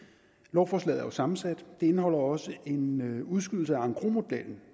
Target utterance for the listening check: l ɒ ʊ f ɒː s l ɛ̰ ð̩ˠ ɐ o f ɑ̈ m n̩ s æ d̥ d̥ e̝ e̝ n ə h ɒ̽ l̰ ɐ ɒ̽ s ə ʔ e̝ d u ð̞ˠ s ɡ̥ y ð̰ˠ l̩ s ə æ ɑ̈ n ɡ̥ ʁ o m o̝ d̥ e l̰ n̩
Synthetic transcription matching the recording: l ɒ ʊ f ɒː s l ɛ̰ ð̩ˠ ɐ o s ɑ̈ m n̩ s æ d̥ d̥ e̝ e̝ n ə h ɒ̽ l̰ ɐ ɒ̽ s ə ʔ e̝ n u ð̞ˠ s ɡ̥ y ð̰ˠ l̩ s ə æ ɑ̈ ŋ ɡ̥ ʁ o m o̝ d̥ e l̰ n̩